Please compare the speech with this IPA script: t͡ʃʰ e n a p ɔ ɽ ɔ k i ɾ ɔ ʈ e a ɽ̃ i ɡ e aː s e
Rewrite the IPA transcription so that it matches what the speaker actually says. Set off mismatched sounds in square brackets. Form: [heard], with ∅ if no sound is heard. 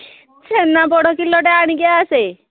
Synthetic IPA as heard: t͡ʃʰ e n a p ɔ ɽ ɔ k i [l] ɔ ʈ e a ɽ̃ i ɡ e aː s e